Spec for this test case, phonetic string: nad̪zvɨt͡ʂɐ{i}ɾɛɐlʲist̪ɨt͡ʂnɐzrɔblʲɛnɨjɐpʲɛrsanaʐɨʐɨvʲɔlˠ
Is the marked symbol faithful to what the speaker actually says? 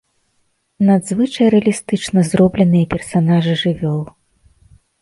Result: no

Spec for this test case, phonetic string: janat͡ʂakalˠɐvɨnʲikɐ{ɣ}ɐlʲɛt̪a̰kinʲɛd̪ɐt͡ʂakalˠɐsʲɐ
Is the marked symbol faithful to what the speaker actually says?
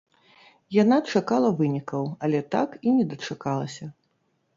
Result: no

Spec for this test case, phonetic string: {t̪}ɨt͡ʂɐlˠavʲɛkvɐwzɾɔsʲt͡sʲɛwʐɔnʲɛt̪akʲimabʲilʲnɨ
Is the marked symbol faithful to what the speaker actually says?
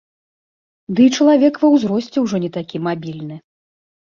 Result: no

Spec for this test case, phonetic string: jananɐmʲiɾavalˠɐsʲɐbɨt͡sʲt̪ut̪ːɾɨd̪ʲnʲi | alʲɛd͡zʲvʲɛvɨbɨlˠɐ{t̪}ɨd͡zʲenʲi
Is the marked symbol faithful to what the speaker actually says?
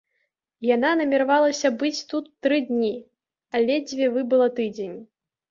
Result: yes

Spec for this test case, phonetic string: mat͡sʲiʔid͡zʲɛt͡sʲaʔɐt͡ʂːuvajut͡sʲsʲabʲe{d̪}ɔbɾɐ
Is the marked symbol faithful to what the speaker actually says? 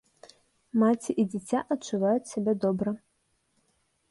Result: yes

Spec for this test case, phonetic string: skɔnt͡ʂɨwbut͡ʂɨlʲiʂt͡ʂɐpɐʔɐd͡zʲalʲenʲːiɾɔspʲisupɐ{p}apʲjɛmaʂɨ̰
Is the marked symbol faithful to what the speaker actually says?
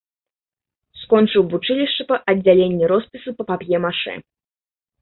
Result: yes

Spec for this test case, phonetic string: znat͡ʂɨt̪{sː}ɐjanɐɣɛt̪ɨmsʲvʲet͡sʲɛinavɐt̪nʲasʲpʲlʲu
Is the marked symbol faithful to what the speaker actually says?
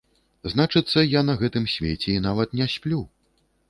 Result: yes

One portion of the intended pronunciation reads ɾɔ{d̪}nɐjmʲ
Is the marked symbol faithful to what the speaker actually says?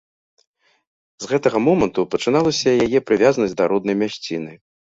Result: yes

